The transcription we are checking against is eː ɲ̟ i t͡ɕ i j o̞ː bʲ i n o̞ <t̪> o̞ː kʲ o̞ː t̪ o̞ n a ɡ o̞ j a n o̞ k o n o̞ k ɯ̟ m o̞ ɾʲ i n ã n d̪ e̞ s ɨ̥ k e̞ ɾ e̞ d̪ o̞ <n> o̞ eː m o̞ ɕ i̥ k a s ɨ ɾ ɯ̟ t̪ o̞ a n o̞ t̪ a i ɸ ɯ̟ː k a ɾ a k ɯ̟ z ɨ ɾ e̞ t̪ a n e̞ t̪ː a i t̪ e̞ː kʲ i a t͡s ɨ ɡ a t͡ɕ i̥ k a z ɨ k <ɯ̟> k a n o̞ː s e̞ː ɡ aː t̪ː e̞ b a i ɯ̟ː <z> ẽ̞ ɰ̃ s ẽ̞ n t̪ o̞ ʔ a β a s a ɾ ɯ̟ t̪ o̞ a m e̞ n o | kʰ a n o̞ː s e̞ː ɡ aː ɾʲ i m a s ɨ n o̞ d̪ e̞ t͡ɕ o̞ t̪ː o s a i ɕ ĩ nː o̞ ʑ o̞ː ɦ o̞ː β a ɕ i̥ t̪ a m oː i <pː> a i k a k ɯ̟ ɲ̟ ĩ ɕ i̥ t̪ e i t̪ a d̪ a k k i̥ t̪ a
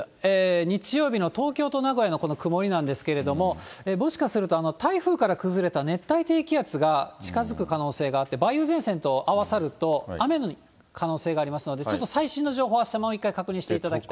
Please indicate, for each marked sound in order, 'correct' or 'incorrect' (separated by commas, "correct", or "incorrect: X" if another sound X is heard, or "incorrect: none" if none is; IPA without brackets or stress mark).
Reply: correct, incorrect: m, correct, correct, incorrect: kː